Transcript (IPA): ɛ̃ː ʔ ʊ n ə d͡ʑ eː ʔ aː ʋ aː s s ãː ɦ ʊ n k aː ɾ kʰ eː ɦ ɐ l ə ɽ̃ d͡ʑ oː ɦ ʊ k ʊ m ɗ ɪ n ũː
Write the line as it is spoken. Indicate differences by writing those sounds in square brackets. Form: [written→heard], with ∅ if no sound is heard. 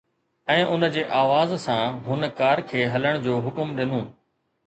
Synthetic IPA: ɛ̃ː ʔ ʊ n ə d͡ʑ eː ʔ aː ʋ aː [s→z] s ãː ɦ ʊ n k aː ɾ kʰ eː ɦ ɐ l ə ɽ̃ d͡ʑ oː ɦ ʊ k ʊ m ɗ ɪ n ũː